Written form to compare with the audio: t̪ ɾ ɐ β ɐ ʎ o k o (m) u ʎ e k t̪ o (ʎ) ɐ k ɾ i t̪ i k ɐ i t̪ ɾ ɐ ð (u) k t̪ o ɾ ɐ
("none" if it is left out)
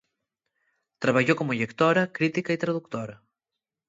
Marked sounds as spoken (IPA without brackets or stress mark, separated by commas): m, ɾ, u